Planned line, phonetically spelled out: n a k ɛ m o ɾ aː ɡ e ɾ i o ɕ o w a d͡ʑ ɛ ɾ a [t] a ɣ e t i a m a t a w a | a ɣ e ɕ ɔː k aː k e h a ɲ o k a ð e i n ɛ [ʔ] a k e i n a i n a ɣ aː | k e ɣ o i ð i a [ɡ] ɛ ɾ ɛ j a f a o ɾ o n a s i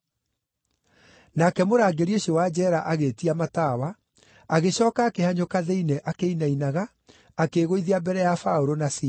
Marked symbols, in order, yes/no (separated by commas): no, yes, no